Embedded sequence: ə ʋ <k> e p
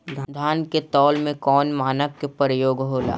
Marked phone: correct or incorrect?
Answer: correct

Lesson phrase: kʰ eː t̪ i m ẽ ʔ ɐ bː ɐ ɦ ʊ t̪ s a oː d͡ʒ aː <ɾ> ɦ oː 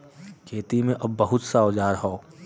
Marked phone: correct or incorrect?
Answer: correct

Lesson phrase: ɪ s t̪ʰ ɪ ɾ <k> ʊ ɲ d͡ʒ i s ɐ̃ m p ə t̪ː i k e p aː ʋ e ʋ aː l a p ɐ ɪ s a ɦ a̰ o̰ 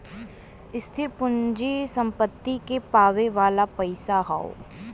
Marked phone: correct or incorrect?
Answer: incorrect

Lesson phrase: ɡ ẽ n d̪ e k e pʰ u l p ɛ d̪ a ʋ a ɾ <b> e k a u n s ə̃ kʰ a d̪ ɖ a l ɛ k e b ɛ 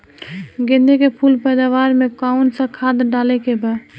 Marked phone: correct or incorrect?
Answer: incorrect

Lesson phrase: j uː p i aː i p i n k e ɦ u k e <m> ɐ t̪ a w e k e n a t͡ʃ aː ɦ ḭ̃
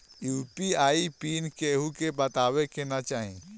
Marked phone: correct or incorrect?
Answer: incorrect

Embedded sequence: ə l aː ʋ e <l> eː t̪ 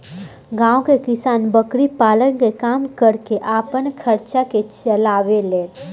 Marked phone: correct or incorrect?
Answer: correct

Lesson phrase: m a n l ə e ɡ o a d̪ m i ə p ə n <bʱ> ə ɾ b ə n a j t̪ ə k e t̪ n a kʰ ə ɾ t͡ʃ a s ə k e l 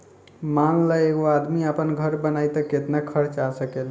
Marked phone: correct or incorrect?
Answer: incorrect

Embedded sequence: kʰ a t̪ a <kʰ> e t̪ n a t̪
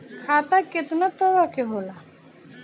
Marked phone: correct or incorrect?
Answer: incorrect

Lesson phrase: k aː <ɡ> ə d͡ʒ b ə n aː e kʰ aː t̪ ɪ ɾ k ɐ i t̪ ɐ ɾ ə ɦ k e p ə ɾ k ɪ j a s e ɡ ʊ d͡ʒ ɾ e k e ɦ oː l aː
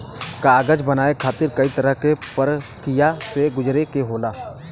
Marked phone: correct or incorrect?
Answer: correct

